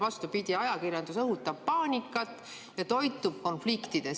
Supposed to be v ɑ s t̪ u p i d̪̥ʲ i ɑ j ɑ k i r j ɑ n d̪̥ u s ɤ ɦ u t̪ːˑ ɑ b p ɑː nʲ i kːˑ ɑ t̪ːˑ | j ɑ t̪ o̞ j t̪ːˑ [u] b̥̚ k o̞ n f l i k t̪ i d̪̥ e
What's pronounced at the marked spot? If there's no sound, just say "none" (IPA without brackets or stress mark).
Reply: u